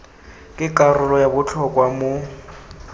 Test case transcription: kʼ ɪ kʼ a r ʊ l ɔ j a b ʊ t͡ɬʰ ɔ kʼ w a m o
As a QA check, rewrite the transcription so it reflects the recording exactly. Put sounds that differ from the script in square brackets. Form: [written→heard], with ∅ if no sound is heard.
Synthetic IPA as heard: kʼ ɪ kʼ a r ʊ l ɔ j a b ʊ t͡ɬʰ ɔ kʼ w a m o